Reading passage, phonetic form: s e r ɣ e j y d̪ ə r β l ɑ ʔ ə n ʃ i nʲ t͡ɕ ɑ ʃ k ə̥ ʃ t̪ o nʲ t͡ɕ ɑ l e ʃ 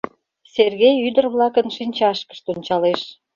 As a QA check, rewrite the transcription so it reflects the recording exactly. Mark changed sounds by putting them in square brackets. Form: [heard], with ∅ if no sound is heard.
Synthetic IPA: s e r ɣ e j y d̪ ə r β l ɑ [k] ə n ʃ i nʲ t͡ɕ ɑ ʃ k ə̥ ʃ t̪ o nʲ t͡ɕ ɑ l e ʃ